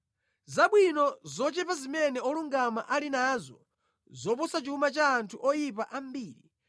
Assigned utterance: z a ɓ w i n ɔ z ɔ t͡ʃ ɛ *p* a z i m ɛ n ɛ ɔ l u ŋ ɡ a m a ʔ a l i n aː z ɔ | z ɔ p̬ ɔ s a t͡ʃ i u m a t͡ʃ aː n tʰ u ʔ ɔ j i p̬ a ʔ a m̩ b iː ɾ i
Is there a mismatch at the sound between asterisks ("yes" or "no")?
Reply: no